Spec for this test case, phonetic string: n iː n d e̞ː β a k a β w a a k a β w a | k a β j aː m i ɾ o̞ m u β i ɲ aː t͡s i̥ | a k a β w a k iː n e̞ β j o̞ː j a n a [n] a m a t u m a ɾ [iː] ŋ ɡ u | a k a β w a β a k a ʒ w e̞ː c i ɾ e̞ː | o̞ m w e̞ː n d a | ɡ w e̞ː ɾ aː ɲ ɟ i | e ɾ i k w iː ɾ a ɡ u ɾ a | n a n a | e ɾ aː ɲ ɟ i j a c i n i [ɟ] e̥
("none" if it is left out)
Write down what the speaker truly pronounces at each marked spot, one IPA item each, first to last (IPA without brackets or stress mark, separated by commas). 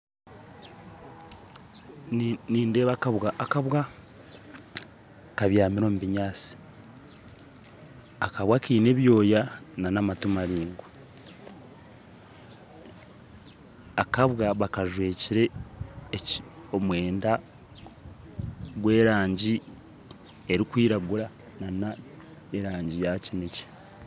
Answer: n, iː, c